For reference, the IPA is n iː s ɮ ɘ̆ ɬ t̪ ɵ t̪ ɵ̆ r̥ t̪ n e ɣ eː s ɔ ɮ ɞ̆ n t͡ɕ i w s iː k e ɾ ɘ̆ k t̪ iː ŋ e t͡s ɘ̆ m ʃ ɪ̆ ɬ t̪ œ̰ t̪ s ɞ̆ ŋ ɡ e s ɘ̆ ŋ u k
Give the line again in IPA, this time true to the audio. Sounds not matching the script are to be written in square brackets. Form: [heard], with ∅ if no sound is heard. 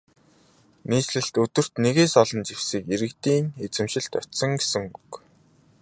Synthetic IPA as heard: n iː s ɮ ɘ̆ ɬ t̪ ɵ t̪ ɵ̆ r̥ t̪ n e ɣ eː s ɔ ɮ ɞ̆ n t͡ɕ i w s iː k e ɾ ɘ̆ k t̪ iː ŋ e t͡s ɘ̆ m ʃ ɪ̆ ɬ t̪ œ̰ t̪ s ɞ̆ ŋ ɡ e s ɘ̆ ŋ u k